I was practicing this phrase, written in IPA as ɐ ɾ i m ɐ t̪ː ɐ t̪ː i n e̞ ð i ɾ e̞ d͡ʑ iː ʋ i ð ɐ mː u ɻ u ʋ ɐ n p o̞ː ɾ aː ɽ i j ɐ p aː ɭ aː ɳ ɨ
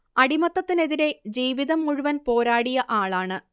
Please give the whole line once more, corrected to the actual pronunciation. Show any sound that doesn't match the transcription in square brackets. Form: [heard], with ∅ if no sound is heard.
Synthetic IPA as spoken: ɐ [ɽ] i m ɐ t̪ː ɐ t̪ː i n e̞ ð i ɾ e̞ d͡ʑ iː ʋ i ð ɐ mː u ɻ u ʋ ɐ n p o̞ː ɾ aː ɽ i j ɐ [ʔ] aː ɭ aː ɳ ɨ

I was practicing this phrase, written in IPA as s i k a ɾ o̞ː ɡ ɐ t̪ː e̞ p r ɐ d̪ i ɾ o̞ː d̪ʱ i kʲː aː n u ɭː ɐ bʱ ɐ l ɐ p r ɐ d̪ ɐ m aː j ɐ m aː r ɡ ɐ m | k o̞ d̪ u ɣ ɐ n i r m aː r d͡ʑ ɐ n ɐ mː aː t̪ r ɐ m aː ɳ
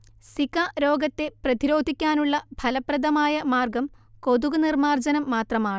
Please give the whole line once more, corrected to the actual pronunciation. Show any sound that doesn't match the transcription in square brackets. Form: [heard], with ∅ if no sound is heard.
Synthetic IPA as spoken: s i k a ɾ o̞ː ɡ ɐ t̪ː e̞ p r ɐ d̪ i ɾ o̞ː d̪ʱ i kʲː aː n u ɭː ɐ bʱ ɐ l ɐ p r ɐ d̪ ɐ m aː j ɐ m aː r ɡ ɐ m | k o̞ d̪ u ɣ ɐ n i r m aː r d͡ʑ ɐ n ɐ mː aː t̪ r ɐ m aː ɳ

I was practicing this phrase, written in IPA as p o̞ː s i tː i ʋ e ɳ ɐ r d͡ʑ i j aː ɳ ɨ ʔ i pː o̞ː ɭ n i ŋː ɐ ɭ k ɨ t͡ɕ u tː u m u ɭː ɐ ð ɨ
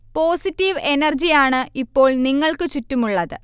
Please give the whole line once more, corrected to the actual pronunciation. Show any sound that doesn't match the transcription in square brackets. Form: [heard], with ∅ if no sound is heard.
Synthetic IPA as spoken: p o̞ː s i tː i ʋ e [n] ɐ r d͡ʑ i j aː ɳ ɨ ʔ i pː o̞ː ɭ n i ŋː ɐ ɭ k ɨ t͡ɕ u tː u m u ɭː ɐ ð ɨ

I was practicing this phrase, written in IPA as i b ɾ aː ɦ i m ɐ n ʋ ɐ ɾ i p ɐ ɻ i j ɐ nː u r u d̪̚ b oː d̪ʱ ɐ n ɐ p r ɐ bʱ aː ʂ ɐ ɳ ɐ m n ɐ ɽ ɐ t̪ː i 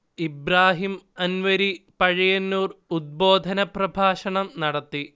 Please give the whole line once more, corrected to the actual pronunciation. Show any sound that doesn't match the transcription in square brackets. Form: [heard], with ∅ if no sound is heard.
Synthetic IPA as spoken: i b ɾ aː ɦ i m ɐ n ʋ ɐ ɾ i p ɐ ɻ i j ɐ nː [uː] r u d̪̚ b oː d̪ʱ ɐ n ɐ p r ɐ bʱ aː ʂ ɐ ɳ ɐ m n ɐ ɽ ɐ t̪ː i

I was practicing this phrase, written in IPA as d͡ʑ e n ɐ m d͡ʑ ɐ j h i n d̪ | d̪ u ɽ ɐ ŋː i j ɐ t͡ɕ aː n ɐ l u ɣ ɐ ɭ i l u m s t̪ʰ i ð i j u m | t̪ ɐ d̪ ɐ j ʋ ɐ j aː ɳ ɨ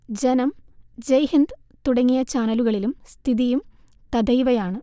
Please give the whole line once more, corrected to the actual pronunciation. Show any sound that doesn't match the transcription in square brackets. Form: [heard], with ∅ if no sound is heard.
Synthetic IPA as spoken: d͡ʑ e n ɐ m d͡ʑ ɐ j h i n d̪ | [t̪] u ɽ ɐ ŋː i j ɐ t͡ɕ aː n ɐ l u ɣ ɐ ɭ i l u m s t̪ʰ i ð i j u m | t̪ ɐ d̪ ɐ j ʋ ɐ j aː ɳ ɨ

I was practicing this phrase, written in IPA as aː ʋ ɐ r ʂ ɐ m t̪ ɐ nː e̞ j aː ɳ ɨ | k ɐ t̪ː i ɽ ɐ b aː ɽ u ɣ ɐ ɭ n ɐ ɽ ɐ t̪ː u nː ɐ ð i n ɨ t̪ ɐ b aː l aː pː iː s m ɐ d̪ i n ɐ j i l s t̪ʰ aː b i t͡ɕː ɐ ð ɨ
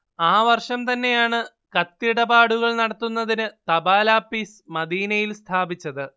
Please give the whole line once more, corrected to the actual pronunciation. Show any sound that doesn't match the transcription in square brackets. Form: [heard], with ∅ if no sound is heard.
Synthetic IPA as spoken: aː ʋ ɐ r ʂ ɐ m t̪ ɐ nː e̞ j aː ɳ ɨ | k ɐ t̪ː i ɽ ɐ b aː ɽ u ɣ ɐ ɭ n ɐ ɽ ɐ t̪ː u nː ɐ ð i n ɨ t̪ ɐ b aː l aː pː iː s m ɐ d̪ [iː] n ɐ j i l s t̪ʰ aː b i t͡ɕː ɐ ð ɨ

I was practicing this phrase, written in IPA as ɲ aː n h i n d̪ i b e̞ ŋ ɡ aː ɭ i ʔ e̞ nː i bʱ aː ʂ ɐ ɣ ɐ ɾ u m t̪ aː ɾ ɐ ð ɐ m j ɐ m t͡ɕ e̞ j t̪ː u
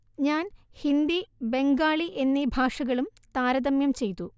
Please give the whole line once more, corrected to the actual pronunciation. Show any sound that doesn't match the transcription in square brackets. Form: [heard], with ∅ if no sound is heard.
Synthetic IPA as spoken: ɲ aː n h i n d̪ i b e̞ ŋ ɡ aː ɭ i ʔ e̞ nː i bʱ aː ʂ ɐ ɣ ɐ [ɭ] u m t̪ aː ɾ ɐ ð ɐ m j ɐ m t͡ɕ e̞ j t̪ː u

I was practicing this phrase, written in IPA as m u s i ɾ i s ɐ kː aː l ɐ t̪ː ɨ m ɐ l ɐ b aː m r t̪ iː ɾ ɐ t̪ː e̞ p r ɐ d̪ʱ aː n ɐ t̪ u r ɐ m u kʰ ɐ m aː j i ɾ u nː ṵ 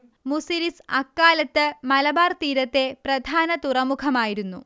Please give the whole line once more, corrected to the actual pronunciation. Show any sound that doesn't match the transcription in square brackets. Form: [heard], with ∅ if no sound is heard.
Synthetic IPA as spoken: m u s i ɾ i s ɐ kː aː l ɐ t̪ː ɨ m ɐ l ɐ b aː [∅] r t̪ iː ɾ ɐ t̪ː e̞ p r ɐ d̪ʱ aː n ɐ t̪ u r ɐ m u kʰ ɐ m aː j i ɾ u nː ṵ

